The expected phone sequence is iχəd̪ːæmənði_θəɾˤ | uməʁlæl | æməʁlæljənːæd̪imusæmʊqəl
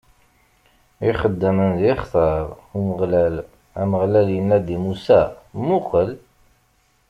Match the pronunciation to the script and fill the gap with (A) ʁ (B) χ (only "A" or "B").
B